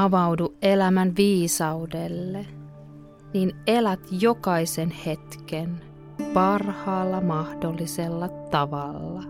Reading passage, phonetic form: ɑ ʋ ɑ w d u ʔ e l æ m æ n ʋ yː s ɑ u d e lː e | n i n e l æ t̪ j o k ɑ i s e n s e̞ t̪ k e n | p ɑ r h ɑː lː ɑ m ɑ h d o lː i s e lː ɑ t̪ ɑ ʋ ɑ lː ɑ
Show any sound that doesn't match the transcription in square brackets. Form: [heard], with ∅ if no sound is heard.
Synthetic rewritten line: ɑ ʋ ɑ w d u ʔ e l æ m æ n ʋ [iː] s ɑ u d e lː e | n i n e l æ t̪ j o k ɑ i s e n [h] e̞ t̪ k e n | p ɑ r h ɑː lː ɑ m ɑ h d o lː i s e lː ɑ t̪ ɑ ʋ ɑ lː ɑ